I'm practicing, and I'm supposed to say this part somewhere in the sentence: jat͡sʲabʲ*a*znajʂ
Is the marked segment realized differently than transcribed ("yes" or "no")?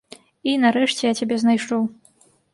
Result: yes